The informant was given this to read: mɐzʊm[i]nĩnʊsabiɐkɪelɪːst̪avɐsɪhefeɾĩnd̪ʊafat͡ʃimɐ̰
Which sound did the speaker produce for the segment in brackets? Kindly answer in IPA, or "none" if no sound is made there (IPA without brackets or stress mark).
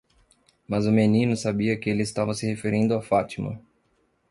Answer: e